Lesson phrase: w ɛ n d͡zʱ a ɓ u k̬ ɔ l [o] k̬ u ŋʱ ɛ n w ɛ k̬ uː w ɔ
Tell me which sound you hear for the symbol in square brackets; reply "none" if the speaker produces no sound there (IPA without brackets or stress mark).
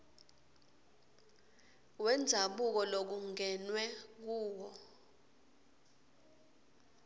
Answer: o